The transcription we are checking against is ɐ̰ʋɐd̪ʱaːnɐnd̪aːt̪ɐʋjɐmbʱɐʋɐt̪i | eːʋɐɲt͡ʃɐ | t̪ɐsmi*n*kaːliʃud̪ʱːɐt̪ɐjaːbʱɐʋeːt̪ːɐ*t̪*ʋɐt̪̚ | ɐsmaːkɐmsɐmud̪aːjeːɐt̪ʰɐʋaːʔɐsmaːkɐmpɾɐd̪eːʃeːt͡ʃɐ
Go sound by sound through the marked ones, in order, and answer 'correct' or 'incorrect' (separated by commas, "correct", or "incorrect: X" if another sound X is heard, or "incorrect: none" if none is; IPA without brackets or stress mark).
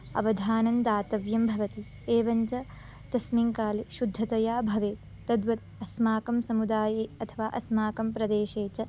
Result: incorrect: ŋ, incorrect: d̪